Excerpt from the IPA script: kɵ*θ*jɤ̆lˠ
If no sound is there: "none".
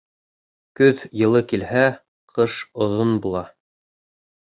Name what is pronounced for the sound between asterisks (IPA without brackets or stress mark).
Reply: ð